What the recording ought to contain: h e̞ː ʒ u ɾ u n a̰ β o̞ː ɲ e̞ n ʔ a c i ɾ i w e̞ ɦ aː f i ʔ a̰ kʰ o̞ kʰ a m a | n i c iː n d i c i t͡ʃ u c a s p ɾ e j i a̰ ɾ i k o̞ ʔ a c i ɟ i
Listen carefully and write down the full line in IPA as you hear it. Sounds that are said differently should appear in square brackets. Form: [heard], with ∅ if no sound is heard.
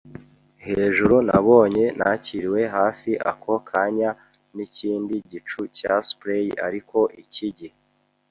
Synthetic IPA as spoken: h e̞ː ʒ u ɾ u n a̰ β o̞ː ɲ e̞ n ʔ a c i ɾ i w e̞ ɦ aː f i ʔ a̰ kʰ o̞ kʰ a [ɲ] a | n i c iː n d i [ɟ] i t͡ʃ u c a s p ɾ e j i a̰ ɾ i k o̞ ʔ [i] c i ɟ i